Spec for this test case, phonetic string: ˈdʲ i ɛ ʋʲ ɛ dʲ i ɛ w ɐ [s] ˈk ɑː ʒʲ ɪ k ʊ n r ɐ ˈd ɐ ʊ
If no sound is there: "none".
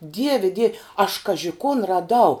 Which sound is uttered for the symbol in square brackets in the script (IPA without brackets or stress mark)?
ʃ